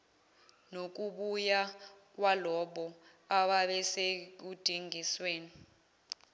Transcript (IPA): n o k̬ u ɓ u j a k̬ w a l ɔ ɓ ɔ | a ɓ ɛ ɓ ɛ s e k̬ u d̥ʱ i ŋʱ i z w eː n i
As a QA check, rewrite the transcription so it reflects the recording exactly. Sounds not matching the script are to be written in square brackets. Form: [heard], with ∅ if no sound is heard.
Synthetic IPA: n o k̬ u ɓ u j a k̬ w a l ɔ ɓ ɔ | a ɓ [a] ɓ ɛ s e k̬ u d̥ʱ i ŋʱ i [s] w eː n i